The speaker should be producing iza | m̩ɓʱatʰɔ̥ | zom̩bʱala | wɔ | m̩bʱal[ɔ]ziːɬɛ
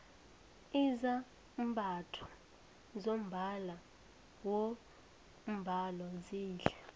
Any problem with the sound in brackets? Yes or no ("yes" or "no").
no